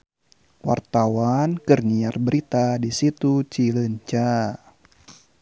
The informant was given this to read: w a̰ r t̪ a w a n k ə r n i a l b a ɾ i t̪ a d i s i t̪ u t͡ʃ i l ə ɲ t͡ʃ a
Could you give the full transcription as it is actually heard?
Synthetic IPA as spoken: w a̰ r t̪ a w a n k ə r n i a r b ə ɾ i t̪ a d i s i t̪ u t͡ʃ i l ə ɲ t͡ʃ a